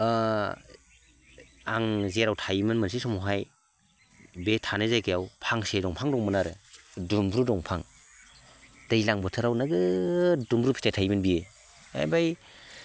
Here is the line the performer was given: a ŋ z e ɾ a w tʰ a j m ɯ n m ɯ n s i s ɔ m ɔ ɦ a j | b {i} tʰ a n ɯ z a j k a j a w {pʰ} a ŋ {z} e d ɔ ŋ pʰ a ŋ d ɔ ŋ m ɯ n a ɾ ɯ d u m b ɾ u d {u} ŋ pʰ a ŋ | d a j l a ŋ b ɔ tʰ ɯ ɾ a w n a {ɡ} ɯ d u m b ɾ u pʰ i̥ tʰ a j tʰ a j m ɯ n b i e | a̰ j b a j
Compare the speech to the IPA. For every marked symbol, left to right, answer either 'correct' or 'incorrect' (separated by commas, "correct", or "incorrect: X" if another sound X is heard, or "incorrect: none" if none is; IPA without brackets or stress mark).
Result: incorrect: e, correct, incorrect: s, incorrect: ɔ, correct